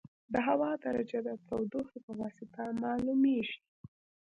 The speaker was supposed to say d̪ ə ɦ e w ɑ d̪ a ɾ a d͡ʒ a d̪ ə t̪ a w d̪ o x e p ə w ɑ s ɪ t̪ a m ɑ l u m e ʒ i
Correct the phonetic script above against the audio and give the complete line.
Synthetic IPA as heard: d̪ ə ɦ a w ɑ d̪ a ɾ a d͡ʒ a d̪ ə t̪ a w d̪ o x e p ə w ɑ s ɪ t̪ a m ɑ l u m e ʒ i